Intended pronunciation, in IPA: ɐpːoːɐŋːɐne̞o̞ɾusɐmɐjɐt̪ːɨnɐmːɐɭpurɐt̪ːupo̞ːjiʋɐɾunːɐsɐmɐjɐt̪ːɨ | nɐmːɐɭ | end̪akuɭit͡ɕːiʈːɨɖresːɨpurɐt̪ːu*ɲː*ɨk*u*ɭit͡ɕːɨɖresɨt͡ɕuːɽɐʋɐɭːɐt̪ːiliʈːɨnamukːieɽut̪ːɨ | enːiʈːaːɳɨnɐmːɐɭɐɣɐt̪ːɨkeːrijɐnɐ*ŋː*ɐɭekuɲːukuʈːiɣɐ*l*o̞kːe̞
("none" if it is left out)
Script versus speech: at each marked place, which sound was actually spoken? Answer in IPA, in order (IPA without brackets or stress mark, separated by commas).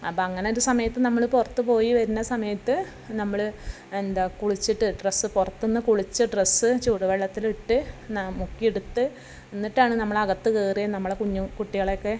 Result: nː, u, mː, ɭ